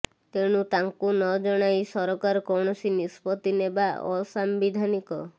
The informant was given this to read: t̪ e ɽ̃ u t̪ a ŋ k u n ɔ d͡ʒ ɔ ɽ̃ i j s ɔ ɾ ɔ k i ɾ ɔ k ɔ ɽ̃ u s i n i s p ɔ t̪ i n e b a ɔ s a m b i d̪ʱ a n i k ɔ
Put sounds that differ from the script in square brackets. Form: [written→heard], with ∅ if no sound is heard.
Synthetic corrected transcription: t̪ e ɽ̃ u t̪ a ŋ k u n ɔ d͡ʒ ɔ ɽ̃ [i→a] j s ɔ ɾ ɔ k [i→a] ɾ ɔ k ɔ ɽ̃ [u→ɔ] s i n i s p ɔ t̪ i n e b a ɔ s a m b i d̪ʱ a n i k ɔ